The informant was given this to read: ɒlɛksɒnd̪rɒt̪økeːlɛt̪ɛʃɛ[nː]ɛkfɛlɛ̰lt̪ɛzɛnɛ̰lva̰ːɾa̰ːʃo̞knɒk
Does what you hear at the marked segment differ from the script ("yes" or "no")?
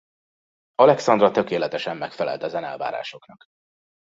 yes